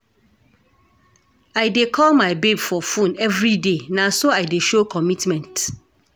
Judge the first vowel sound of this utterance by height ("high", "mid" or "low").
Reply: low